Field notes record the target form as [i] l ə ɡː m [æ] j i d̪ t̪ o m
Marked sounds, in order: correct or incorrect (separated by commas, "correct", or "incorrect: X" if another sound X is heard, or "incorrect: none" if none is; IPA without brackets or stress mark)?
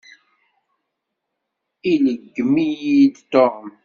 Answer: correct, incorrect: i